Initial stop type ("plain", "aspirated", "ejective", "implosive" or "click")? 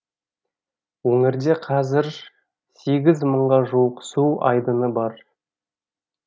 plain